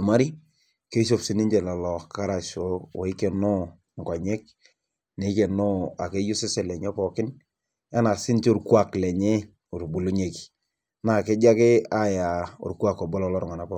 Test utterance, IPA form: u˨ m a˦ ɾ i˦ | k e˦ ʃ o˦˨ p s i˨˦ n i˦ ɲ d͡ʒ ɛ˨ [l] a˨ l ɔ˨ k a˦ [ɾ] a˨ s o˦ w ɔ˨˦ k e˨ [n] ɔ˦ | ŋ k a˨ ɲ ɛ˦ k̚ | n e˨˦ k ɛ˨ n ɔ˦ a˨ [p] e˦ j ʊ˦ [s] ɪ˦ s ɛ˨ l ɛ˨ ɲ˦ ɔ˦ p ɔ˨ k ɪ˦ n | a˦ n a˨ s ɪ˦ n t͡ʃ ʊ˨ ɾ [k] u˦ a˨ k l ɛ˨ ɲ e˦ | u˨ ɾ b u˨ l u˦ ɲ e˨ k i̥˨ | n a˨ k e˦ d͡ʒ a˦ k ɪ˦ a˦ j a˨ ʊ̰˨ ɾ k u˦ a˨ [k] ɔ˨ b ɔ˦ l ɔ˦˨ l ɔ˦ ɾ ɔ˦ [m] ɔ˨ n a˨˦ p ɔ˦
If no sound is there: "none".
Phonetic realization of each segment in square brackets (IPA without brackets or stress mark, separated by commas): l, ɾ, n, k, s, k, k, ŋ